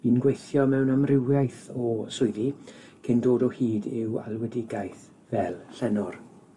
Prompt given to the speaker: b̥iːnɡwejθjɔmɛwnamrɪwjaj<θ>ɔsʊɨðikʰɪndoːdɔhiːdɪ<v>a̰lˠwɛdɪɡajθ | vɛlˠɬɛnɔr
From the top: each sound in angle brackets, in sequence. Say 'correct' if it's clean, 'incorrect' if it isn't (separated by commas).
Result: correct, incorrect